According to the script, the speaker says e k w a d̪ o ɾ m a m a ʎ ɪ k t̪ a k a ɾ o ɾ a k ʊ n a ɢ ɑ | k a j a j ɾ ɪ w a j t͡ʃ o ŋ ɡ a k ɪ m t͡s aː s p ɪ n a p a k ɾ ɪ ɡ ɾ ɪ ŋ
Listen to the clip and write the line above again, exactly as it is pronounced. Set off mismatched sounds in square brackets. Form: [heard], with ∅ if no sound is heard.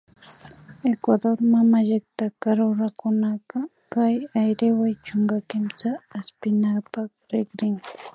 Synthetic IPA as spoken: e k w a d̪ o ɾ m a m a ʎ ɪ k t̪ a k a ɾ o ɾ a k ʊ n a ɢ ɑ | k a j a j ɾ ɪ w a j t͡ʃ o ŋ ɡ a k ɪ m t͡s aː s p ɪ n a p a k ɾ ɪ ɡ ɾ ɪ ŋ